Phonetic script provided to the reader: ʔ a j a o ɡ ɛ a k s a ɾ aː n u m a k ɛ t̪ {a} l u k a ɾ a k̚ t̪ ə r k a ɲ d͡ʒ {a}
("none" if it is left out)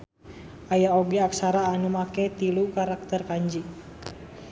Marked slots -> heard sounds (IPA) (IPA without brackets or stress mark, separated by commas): i, i